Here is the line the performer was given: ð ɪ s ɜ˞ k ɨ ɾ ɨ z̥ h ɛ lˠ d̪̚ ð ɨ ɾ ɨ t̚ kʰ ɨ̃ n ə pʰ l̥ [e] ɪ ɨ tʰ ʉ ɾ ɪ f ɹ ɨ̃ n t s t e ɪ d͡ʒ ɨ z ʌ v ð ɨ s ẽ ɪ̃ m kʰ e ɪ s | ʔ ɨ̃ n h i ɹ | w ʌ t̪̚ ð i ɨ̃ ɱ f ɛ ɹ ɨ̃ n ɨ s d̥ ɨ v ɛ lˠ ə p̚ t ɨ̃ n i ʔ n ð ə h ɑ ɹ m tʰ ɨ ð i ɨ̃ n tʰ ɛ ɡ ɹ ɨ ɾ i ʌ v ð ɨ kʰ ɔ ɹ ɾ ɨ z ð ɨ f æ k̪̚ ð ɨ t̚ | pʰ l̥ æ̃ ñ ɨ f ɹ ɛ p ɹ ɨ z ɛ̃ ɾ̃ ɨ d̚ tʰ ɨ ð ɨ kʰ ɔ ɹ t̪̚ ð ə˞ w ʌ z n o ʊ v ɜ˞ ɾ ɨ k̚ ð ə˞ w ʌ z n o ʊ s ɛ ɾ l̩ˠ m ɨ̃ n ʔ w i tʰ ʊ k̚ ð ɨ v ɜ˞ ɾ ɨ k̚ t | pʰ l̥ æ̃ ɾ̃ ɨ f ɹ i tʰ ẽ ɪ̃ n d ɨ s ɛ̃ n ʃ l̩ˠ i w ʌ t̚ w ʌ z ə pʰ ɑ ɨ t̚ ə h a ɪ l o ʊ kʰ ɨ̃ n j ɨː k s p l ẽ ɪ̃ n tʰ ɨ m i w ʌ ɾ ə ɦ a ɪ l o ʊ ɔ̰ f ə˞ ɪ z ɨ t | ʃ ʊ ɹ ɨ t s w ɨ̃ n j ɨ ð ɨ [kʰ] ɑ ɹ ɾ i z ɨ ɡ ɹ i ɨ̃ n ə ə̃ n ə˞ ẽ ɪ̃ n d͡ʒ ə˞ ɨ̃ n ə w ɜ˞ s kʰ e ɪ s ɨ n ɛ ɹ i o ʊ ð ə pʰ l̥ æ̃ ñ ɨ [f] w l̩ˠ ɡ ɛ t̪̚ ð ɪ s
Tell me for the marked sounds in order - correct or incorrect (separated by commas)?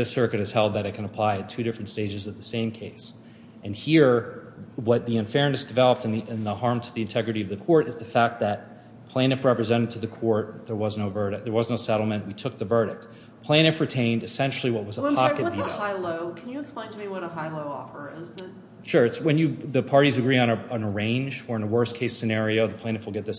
incorrect, incorrect, correct